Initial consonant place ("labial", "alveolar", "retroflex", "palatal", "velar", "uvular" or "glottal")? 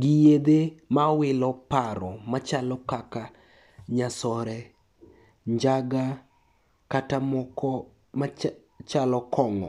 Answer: velar